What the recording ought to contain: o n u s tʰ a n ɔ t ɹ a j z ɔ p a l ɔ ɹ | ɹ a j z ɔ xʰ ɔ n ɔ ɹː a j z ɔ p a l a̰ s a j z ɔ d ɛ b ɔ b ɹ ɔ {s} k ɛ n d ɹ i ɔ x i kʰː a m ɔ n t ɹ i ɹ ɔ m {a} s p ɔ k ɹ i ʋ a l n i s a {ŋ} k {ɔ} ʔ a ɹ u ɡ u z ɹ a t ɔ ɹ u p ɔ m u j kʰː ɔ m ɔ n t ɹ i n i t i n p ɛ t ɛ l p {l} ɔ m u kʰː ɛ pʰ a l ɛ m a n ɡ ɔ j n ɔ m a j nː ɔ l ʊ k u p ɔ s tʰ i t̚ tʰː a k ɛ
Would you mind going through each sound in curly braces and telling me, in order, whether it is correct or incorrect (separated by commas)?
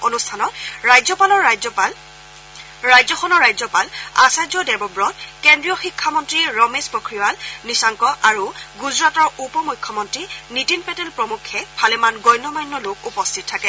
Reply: incorrect, incorrect, correct, correct, incorrect